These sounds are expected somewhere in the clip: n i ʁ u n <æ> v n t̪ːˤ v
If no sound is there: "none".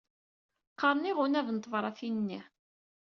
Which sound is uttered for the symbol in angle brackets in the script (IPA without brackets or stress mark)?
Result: æ